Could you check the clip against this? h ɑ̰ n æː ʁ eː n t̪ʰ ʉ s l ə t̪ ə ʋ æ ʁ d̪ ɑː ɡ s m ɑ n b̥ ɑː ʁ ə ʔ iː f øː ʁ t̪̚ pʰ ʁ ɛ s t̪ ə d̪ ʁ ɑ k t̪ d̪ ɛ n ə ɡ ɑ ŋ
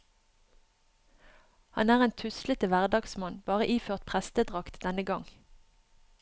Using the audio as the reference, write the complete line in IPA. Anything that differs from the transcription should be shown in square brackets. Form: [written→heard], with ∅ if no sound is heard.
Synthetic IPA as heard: h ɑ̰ n æː ʁ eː n t̪ʰ ʉ s l ə t̪ ə ʋ æ ʁ d̪ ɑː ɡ s m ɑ n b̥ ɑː ʁ ə ʔ iː f øː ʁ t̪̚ pʰ ʁ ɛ s t̪ ə d̪ ʁ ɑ k t̪ d̪ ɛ n ə ɡ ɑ ŋ